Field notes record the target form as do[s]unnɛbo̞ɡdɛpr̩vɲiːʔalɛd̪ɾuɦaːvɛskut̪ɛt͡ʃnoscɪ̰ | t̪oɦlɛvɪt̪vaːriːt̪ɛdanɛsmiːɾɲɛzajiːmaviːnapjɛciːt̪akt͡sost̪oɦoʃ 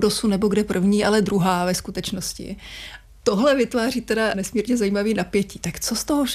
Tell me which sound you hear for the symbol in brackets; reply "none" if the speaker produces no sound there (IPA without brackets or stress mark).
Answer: s